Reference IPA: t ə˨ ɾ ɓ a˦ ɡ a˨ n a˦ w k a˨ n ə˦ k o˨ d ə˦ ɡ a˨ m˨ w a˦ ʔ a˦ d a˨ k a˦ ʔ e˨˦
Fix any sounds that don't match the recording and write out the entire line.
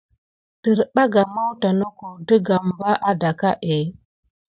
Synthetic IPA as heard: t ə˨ ɾ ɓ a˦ ɡ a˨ m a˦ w t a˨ n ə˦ k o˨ d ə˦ ɡ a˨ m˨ b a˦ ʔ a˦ d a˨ k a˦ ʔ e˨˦